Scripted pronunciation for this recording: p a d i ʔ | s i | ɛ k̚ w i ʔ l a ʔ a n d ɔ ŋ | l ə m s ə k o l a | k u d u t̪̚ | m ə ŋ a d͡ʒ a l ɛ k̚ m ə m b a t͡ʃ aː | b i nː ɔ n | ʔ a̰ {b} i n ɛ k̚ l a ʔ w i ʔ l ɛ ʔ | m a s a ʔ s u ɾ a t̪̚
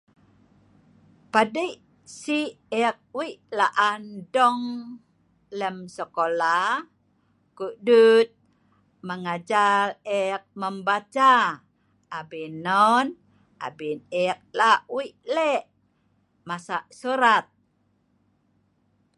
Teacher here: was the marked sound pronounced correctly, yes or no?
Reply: yes